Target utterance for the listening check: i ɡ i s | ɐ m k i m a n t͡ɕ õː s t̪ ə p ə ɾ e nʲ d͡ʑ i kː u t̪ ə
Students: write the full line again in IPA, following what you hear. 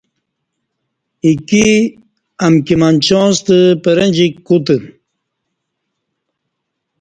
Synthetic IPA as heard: i k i | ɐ m k i m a n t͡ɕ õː s t̪ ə p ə ɾ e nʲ d͡ʑ i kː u t̪ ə